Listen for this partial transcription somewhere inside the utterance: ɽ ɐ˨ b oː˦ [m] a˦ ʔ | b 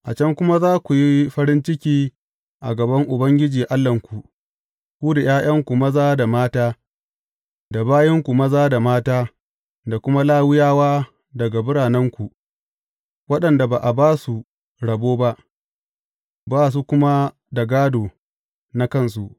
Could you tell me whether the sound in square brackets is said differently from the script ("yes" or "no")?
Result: yes